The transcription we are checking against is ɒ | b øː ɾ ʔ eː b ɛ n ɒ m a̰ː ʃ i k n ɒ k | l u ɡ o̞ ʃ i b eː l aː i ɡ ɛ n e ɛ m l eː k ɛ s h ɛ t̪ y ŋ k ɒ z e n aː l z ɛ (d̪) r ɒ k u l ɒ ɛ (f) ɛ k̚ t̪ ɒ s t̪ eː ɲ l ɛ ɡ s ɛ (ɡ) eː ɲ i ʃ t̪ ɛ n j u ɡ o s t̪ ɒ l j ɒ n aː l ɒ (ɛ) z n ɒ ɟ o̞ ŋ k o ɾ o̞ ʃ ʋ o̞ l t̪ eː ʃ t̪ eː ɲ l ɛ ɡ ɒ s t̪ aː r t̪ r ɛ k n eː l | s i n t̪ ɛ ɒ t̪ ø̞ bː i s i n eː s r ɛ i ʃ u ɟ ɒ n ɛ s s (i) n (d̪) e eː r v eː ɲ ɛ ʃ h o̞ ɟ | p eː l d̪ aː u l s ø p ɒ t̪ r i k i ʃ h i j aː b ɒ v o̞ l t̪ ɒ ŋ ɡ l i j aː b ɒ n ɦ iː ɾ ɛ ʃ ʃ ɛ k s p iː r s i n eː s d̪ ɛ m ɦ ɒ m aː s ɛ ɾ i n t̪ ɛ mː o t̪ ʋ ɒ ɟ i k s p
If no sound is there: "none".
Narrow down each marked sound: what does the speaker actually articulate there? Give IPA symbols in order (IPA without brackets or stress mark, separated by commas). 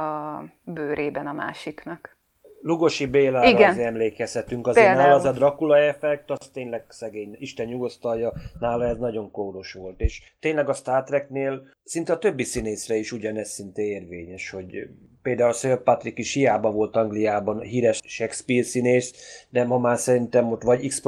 d̪, f, ɡ, ɛ, i, t̪